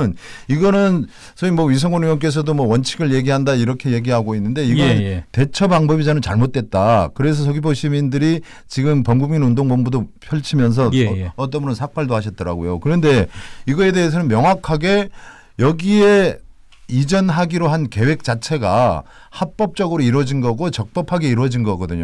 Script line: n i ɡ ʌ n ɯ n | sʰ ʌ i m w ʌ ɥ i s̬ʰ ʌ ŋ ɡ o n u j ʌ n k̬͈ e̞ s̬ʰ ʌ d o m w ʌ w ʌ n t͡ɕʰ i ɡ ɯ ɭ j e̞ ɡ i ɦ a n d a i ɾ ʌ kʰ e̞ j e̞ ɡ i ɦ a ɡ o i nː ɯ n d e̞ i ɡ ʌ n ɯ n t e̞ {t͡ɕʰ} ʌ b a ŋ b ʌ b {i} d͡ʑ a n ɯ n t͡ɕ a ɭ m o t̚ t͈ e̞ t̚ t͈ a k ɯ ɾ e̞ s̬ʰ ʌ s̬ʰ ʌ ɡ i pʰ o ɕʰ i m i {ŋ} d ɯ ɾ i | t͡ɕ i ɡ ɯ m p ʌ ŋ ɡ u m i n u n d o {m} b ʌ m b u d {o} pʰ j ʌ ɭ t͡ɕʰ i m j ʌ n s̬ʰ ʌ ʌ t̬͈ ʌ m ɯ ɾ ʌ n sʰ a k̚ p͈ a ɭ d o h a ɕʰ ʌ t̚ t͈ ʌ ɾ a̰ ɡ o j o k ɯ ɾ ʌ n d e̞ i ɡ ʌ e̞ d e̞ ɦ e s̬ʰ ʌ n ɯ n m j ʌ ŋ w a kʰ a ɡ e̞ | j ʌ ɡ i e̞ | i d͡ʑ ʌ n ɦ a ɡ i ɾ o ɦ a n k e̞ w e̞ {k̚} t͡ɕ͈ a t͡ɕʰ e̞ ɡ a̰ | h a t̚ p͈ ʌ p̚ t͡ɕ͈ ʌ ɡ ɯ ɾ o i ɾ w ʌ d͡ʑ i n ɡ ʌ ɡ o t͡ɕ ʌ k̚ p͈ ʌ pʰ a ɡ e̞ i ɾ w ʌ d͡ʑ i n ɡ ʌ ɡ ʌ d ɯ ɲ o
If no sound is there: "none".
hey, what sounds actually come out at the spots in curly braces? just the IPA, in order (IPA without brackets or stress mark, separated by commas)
t͡ɕʰ, i, n, ŋ, o, k̚